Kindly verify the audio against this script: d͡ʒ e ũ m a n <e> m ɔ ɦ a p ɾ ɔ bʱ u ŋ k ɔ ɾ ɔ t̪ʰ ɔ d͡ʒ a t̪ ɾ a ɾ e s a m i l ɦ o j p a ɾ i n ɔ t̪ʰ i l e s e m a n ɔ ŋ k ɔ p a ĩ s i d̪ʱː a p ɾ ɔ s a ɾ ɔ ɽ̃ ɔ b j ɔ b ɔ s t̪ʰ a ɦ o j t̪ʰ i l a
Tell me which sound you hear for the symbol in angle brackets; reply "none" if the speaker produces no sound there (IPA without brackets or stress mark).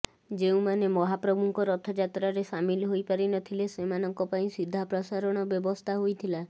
e